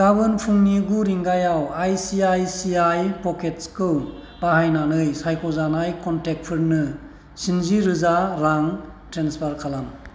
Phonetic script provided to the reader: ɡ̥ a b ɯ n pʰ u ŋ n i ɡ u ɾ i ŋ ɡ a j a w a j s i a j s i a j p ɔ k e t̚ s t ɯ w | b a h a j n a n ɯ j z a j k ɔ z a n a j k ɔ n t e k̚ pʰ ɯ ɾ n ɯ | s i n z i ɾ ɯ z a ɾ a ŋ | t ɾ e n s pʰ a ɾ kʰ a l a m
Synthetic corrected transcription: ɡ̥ a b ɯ n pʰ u ŋ n i ɡ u ɾ i ŋ ɡ a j a w a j s i a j s i a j p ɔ k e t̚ s k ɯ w | b a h a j n a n ɯ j s a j k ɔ z a n a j k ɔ n t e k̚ pʰ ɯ ɾ n ɯ | s i n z i ɾ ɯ z a ɾ a ŋ | t ɾ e n s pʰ a ɾ kʰ a l a m